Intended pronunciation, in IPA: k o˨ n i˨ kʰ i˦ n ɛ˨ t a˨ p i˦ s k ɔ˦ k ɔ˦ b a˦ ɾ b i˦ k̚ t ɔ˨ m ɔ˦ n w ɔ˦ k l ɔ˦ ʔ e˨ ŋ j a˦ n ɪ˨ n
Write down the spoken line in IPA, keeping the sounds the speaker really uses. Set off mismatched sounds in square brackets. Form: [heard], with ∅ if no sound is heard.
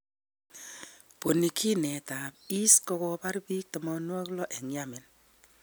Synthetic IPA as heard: [p] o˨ n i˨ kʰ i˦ n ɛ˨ t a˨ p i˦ s k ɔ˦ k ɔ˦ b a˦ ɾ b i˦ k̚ t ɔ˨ m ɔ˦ n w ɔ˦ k l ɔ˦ ʔ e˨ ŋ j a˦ [m] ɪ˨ n